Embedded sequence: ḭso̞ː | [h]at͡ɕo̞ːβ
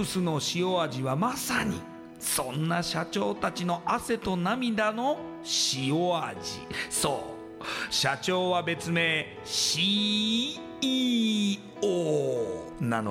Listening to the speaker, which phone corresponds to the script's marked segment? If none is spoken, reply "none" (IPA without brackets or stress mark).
ɕ